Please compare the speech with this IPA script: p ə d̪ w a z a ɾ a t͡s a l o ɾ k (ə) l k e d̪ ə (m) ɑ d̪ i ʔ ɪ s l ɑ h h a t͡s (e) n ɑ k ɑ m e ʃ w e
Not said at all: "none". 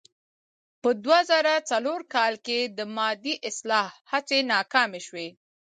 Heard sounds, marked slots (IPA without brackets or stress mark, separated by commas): ɑ, m, e